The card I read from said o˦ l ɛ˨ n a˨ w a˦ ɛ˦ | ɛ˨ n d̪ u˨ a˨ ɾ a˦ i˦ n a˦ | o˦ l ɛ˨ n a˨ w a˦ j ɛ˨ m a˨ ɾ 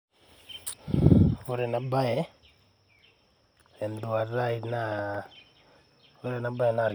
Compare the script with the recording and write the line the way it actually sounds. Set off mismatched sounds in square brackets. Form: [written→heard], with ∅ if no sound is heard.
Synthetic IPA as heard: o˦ [l→ɾ] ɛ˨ n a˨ [w→b] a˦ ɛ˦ | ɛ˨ n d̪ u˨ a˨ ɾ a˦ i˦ n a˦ | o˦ [l→ɾ] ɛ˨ n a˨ [w→b] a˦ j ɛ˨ [m→n] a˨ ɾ